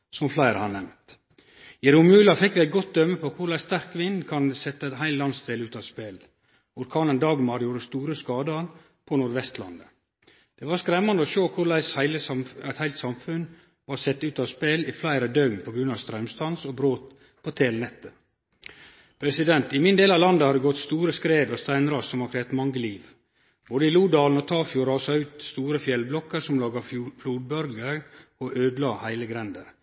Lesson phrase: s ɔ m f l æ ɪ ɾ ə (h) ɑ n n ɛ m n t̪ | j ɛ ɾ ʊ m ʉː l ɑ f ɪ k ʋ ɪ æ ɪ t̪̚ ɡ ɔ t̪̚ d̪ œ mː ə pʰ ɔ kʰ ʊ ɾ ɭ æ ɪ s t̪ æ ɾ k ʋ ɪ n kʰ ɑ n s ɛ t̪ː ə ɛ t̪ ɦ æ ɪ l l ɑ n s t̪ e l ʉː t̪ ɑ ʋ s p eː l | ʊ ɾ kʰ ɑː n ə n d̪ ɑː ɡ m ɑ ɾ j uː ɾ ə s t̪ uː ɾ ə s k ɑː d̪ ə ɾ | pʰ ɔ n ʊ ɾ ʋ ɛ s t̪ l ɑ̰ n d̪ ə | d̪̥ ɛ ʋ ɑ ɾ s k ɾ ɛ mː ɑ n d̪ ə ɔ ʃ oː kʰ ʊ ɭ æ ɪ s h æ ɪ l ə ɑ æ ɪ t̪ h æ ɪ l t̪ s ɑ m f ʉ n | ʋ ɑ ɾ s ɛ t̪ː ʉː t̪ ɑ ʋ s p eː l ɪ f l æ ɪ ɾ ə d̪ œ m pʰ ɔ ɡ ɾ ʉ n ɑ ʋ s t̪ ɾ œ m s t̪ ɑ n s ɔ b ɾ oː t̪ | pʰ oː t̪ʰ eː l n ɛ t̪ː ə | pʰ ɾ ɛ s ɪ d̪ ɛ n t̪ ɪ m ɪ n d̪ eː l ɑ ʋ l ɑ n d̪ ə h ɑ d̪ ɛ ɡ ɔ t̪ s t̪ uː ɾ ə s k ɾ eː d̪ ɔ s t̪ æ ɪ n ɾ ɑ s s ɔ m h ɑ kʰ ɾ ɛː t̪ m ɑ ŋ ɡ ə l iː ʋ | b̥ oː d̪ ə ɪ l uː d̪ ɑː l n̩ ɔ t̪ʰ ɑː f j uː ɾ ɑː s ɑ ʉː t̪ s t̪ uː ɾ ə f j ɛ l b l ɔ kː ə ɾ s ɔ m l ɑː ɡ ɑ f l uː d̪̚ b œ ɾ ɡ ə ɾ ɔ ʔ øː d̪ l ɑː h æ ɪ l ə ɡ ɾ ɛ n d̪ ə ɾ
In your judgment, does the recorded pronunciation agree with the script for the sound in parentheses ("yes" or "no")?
yes